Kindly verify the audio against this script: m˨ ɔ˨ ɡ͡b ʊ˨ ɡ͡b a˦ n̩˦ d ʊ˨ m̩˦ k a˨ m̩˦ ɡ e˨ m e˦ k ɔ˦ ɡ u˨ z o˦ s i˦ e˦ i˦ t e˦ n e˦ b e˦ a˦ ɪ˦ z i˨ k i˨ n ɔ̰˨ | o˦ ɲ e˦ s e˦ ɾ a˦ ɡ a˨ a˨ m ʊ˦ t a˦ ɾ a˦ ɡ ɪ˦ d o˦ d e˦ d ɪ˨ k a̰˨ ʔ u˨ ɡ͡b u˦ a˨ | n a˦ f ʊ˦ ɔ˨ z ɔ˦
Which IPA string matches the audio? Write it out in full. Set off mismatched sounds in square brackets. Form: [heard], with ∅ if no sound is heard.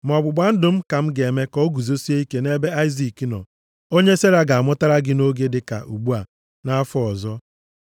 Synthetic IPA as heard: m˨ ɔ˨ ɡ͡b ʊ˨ ɡ͡b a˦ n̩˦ d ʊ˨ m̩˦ k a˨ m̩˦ ɡ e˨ m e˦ k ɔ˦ ɡ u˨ z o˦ s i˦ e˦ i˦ [k] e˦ n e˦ b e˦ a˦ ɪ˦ z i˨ k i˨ n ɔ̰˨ | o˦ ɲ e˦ s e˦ ɾ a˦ ɡ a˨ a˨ m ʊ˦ t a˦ ɾ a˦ ɡ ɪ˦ [n] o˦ [ɡ] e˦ d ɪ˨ k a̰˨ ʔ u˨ ɡ͡b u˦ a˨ | n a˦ f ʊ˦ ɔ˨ z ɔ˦